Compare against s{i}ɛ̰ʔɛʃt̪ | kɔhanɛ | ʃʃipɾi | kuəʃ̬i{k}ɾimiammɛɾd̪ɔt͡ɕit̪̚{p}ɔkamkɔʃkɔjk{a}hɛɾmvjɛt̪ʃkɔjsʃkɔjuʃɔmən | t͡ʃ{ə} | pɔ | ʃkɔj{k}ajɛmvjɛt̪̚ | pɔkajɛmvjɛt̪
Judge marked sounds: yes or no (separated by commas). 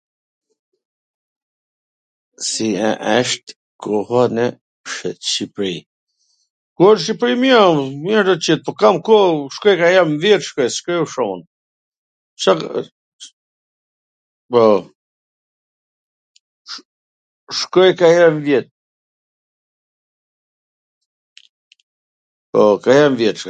yes, no, yes, yes, no, yes